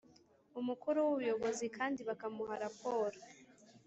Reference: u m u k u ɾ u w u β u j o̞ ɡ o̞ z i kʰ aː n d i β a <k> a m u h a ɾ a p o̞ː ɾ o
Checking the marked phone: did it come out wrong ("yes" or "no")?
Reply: no